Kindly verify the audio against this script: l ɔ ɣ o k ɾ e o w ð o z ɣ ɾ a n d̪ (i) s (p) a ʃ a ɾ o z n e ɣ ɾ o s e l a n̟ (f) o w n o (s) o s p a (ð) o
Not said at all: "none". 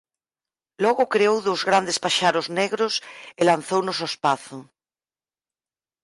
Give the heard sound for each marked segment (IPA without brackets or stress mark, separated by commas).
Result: e, p, θ, s, θ